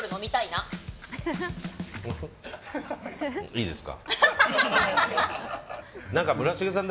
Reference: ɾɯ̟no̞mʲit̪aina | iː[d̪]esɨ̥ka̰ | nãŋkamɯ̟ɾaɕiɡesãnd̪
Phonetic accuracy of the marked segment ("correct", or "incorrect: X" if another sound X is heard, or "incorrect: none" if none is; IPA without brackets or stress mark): correct